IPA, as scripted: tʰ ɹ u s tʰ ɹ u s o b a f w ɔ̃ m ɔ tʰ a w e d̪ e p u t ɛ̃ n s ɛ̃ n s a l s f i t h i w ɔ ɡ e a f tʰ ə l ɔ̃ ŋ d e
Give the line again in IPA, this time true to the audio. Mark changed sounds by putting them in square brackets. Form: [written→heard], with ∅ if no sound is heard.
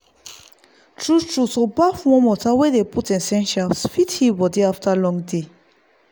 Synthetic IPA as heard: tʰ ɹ u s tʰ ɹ u s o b a f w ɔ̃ m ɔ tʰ a w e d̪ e p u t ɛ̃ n s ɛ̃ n [s→ʃ] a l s f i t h i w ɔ [ɡ→d] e a f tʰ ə l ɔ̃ ŋ d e